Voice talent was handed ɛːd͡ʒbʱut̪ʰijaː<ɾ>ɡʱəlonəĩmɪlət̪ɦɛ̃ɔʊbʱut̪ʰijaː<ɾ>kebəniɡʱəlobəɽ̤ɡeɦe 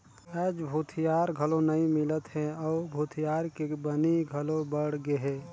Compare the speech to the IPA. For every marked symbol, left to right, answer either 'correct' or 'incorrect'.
correct, correct

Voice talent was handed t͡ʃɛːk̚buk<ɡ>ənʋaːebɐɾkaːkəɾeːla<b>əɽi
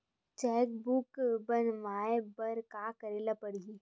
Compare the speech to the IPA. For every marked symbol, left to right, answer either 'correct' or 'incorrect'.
incorrect, incorrect

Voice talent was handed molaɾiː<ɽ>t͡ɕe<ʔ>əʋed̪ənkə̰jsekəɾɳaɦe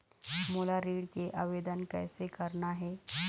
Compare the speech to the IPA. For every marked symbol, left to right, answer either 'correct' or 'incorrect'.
correct, correct

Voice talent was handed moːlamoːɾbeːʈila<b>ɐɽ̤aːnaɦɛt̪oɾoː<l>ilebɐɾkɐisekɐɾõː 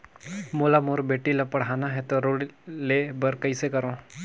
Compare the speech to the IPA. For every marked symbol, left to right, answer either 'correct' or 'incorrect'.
incorrect, incorrect

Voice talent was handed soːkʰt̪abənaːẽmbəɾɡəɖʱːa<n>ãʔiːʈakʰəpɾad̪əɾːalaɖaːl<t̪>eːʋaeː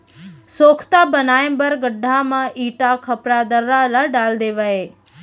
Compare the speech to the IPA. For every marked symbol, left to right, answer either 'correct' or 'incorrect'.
incorrect, incorrect

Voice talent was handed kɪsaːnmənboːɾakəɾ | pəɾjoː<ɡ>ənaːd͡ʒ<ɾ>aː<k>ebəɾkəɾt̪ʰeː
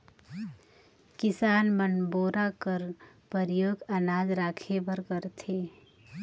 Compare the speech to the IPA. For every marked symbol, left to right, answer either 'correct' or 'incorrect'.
correct, correct, incorrect

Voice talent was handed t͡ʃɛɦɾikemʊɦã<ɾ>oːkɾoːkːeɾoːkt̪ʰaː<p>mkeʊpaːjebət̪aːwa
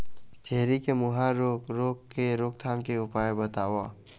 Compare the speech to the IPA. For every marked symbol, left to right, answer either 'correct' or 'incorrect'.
correct, incorrect

